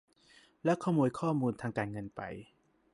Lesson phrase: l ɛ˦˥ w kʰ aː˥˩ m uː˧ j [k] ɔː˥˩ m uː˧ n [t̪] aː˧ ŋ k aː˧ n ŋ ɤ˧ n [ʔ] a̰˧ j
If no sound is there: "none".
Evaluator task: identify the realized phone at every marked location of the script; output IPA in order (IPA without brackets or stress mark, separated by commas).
kʰ, t̪ʰ, p